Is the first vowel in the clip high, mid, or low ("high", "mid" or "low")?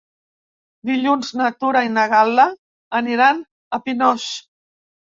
high